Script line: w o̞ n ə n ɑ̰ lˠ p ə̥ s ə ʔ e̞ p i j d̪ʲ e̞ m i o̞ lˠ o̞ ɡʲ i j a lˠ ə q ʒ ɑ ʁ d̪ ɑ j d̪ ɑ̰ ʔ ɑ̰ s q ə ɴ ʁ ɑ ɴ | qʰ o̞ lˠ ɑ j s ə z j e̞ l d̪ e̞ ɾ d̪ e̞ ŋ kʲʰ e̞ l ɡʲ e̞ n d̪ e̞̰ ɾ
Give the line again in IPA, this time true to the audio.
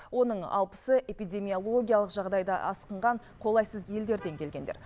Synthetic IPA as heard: w o̞ n ə ɴ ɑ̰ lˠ p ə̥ s ə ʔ e̞ p i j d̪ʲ e̞ m i o̞ lˠ o̞ ɡʲ i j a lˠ ə q ʒ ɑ ʁ d̪ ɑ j d̪ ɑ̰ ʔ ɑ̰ s q ə ɴ ʁ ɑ ɴ | qʰ o̞ lˠ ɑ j s ə z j e̞ l d̪ e̞ ɾ d̪ e̞ ŋ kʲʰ e̞ l ɡʲ e̞ n d̪ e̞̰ ɾ

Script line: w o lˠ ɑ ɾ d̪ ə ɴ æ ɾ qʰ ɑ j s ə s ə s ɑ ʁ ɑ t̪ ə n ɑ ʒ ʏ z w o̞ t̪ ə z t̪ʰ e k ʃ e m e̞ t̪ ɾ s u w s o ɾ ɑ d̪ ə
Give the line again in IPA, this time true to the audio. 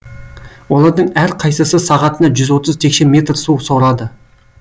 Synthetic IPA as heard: w o lˠ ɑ ɾ d̪ ə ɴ æ ɾ qʰ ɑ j s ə s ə s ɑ ʁ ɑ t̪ ə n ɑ ʒ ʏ z w o̞ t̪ ə z t̪ʰ e k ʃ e m e̞ t̪ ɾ s u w s o ɾ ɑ d̪ ə

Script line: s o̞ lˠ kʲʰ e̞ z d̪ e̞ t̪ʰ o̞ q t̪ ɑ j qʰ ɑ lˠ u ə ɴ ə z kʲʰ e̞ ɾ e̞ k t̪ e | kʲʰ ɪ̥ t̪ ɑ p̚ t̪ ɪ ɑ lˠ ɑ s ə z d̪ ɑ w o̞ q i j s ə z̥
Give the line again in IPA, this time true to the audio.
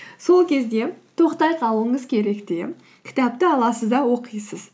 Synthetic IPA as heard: s o̞ lˠ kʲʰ e̞ z d̪ e̞ t̪ʰ o̞ q t̪ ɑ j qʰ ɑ lˠ u ə ɴ ə z kʲʰ e̞ ɾ e̞ k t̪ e | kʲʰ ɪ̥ t̪ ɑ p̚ t̪ ɪ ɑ lˠ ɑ s ə z d̪ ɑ w o̞ q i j s ə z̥

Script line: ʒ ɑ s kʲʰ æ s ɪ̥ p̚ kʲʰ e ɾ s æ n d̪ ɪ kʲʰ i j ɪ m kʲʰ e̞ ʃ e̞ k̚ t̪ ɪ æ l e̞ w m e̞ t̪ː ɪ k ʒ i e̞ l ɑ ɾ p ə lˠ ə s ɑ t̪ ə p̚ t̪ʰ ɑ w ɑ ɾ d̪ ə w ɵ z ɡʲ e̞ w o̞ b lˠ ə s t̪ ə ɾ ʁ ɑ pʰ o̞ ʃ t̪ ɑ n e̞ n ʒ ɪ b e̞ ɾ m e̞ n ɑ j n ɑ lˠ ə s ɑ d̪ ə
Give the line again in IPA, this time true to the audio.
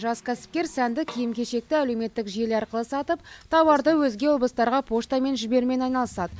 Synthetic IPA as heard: ʒ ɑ s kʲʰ æ s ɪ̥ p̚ kʲ e ɾ s æ n d̪ ɪ kʲʰ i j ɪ m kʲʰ e̞ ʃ e̞ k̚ t̪ ɪ æ l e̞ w m e̞ t̪ː ɪ k ʒ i e̞ l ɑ ɾ q ə lˠ ə s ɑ t̪ ə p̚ t̪ʰ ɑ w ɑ ɾ d̪ ə w ɵ z ɡʲ e̞ w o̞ b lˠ ə s t̪ ɑ ɾ ʁ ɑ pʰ o̞ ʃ t̪ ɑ m e̞ n ʒ ɪ b e̞ ɾ m e̞ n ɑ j n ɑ lˠ ə s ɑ d̪ ə

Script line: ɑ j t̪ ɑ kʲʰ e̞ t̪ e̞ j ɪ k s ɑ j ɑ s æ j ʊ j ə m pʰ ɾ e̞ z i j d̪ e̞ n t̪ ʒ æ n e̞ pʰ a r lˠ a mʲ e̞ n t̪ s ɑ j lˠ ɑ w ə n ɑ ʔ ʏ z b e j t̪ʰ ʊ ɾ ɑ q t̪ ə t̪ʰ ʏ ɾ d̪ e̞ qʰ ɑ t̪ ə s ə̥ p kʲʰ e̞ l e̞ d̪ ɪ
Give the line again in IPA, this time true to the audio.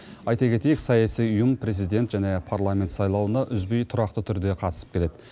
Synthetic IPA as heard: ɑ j t̪ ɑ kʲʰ e̞ t̪ e̞ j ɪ k s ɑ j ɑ s i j ʊ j ə m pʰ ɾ e̞ z i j d̪ e̞ n t̪ ʒ æ n e̞ pʰ a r lˠ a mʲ e̞ n t̪ s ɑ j lˠ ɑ w ə n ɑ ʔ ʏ z b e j t̪ʰ ʊ ɾ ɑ q t̪ ə t̪ʰ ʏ ɾ d̪ e̞ qʰ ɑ t̪ ə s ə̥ p kʲʰ e̞ l e̞ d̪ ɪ

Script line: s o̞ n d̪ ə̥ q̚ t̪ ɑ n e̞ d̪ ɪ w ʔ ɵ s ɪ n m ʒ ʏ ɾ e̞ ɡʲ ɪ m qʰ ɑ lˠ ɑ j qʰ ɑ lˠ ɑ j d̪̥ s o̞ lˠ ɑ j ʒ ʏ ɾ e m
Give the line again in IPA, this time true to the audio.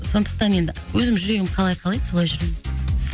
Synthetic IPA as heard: s o̞ n d̪ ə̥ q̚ t̪ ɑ n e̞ d̪ ɪ w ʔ ɵ z ɪ m ʒ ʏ ɾ e̞ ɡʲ ɪ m qʰ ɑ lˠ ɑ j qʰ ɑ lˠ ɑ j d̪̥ s o̞ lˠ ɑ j ʒ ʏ ɾ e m

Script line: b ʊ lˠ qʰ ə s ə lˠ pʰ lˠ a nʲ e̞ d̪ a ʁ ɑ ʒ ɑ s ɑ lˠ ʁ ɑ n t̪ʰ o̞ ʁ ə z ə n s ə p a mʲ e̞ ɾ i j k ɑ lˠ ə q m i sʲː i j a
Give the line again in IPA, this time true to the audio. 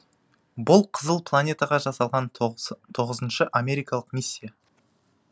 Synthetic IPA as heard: b ʊ lˠ qʰ ə z ə lˠ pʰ lˠ a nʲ e̞ t̪ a ʁ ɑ ʒ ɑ s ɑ lˠ ʁ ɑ n t̪ʰ o̞ ʁ ə z ə n ʃ ə ʔ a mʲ e̞ ɾ i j k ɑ lˠ ə q m i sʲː i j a

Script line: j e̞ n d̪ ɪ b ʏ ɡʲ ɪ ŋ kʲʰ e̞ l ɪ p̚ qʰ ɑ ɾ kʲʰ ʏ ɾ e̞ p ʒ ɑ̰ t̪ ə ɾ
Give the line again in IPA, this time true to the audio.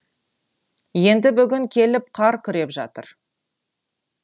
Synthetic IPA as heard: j e̞ n d̪ ɪ b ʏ ɡʲ ɪ ŋ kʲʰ e̞ l ɪ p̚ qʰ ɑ ɾ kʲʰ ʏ ɾ e̞ p ʒ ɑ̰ t̪ ə ɾ

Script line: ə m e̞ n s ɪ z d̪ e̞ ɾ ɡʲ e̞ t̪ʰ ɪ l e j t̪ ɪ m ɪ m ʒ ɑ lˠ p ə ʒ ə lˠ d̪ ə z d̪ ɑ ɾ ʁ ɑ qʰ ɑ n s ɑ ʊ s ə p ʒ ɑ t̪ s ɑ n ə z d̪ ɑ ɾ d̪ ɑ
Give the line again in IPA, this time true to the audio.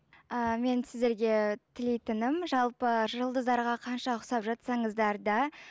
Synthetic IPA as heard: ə m e̞ n s ɪ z d̪ e̞ ɾ ɡʲ e̞ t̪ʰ ɪ l e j t̪ ɪ n ɪ m ʒ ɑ lˠ p ə ʒ ə lˠ d̪ ə z d̪ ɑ ɾ ʁ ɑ qʰ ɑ n ʃ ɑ ʊ s ɑ p ʒ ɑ t̪ s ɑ ɴ ə z d̪ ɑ ɾ d̪ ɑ

